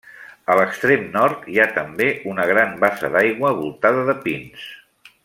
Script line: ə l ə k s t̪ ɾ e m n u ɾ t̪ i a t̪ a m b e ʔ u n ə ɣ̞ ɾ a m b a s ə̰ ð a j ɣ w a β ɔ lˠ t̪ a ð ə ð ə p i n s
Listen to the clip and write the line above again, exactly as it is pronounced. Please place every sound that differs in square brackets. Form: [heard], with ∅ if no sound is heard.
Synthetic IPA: ə l ə k s t̪ ɾ e m n [ɔ] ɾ t̪ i a t̪ [ə] m b e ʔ u n ə ɣ̞ ɾ a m b a s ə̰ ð a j ɣ w [ə] β [u] lˠ t̪ a ð ə ð ə p i n s